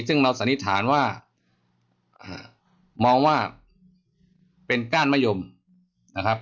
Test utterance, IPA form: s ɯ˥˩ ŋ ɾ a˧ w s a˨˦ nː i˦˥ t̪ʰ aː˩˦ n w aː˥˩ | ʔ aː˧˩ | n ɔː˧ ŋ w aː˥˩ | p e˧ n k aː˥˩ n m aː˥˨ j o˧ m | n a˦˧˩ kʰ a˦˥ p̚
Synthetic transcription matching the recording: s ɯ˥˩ ŋ ɾ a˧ w s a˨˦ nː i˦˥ t̪ʰ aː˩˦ n w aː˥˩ | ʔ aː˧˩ | m ɔː˧ ŋ w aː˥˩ | p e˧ n k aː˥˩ n m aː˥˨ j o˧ m | n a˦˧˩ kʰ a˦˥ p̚